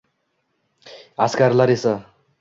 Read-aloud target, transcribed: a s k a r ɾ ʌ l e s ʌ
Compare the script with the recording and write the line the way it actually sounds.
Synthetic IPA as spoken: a s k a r l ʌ ɾ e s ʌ